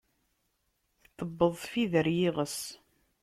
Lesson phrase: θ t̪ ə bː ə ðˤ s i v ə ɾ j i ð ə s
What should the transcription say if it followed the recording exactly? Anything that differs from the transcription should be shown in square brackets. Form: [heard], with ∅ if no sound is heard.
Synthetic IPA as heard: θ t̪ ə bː ə ðˤ [f] i [ð] ə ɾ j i [ʁ] ə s